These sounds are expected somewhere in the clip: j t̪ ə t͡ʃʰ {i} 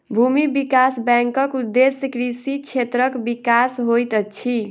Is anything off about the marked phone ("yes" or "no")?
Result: no